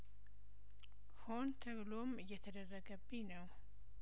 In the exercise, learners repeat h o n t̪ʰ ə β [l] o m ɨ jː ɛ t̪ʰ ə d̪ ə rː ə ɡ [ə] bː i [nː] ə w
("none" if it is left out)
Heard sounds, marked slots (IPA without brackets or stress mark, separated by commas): l, ə, n